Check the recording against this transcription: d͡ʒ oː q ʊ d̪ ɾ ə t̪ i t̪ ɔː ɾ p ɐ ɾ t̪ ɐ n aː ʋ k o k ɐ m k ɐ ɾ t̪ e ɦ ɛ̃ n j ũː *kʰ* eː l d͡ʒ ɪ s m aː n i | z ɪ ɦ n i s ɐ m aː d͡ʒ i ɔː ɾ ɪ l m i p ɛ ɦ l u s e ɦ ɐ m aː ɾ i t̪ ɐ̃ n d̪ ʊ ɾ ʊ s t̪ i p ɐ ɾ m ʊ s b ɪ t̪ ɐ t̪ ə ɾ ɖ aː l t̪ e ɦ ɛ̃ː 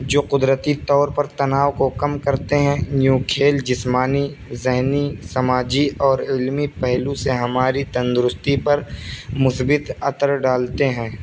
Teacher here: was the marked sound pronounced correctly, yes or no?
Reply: yes